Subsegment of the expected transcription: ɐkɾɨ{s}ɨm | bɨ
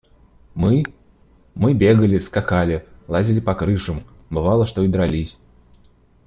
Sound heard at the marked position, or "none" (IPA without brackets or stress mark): ʂ